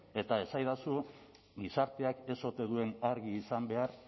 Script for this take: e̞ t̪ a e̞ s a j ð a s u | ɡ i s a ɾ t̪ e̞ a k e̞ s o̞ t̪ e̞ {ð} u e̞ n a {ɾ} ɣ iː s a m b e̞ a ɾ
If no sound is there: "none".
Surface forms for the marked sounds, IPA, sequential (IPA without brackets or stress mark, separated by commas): ð, ɾ